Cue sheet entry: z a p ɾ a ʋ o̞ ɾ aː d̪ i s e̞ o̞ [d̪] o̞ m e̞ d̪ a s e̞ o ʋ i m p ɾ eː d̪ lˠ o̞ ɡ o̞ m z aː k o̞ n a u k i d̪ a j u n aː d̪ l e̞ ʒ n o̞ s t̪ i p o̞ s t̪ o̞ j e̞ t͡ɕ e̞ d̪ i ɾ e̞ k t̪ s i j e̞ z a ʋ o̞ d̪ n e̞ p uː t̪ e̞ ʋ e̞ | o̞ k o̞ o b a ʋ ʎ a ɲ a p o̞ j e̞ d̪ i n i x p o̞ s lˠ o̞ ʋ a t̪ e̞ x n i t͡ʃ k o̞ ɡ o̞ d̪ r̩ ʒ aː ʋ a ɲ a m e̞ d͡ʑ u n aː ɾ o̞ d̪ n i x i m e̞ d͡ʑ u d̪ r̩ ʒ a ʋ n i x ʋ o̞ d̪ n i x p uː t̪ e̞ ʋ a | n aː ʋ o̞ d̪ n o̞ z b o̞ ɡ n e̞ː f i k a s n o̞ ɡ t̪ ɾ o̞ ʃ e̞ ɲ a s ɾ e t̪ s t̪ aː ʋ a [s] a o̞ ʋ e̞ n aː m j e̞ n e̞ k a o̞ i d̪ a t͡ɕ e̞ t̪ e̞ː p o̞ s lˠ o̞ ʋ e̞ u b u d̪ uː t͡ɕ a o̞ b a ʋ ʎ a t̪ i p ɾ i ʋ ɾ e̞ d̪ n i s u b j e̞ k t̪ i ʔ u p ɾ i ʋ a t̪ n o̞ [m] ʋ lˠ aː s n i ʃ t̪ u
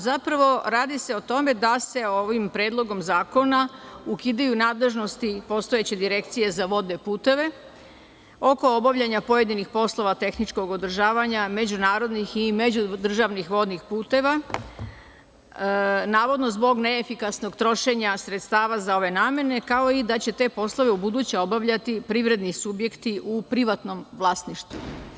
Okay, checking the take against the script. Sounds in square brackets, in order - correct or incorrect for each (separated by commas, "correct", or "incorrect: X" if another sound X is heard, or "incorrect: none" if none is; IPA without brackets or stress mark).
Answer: incorrect: t̪, incorrect: z, correct